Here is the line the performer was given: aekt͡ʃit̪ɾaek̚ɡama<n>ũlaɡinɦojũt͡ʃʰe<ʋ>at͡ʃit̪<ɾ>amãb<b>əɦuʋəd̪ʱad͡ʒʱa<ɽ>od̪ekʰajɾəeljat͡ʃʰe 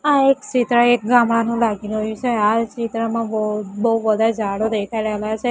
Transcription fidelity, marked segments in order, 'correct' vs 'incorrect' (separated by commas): correct, incorrect, correct, correct, correct